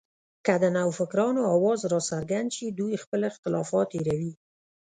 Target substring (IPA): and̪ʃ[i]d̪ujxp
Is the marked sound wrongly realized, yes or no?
no